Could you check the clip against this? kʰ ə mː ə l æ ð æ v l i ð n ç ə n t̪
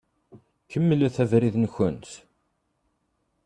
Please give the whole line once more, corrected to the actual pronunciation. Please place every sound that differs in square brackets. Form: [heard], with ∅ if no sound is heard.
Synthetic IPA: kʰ ə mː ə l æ [θ] æ v [ɾ] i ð n ç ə n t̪